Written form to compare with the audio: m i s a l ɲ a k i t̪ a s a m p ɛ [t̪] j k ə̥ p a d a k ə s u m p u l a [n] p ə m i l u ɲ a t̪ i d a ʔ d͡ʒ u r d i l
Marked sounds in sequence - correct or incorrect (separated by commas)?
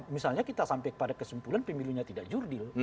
incorrect, correct